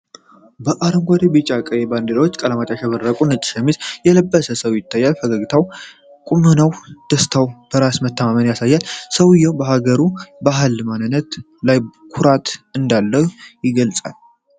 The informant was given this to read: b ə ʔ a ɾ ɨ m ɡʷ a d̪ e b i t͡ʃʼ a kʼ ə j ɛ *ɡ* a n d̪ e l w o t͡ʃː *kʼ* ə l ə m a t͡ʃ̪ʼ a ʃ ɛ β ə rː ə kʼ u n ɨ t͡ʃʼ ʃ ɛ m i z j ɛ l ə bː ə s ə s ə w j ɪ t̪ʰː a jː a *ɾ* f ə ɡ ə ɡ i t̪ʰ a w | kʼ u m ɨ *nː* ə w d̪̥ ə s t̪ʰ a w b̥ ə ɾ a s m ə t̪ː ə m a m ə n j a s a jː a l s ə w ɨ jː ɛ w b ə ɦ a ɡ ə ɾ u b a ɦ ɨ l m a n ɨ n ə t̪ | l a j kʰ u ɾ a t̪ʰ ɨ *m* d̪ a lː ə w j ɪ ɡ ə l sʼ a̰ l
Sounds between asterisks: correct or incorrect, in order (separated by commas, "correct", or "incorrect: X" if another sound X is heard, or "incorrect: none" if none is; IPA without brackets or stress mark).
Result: incorrect: b, correct, incorrect: l, incorrect: n, incorrect: n